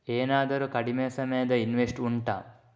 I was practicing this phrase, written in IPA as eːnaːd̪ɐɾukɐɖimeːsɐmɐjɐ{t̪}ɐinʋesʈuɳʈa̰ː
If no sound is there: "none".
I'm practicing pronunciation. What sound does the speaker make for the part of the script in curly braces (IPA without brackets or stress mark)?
d̪